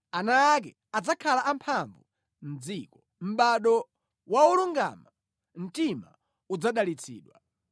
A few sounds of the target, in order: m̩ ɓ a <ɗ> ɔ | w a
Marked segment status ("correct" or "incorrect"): correct